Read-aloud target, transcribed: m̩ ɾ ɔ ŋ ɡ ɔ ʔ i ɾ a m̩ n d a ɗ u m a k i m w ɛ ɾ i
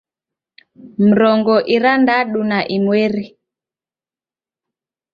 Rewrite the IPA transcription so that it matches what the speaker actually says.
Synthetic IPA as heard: m̩ ɾ ɔ ŋ ɡ ɔ ʔ i ɾ a n d a ɗ u n a ʔ i m w ɛ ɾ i